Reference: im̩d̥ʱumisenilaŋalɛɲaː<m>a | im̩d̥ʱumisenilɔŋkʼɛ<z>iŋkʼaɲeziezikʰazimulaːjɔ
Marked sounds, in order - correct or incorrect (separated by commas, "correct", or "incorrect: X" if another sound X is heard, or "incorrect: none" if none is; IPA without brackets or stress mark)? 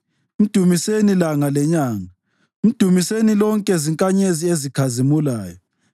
incorrect: ŋ, correct